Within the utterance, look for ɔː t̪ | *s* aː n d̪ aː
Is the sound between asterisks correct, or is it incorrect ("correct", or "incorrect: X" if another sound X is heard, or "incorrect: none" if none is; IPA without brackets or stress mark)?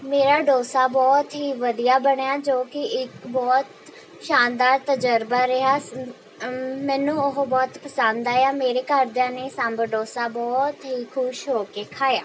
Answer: incorrect: ʃ